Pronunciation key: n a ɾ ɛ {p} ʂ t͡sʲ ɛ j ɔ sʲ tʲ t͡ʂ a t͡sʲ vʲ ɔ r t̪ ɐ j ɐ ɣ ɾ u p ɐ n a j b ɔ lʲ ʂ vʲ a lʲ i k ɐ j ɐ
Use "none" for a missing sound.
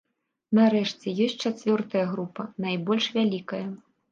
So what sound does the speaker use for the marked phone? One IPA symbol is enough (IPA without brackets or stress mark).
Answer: none